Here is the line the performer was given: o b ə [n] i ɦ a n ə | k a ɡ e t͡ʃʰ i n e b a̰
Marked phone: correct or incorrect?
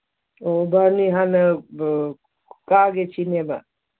correct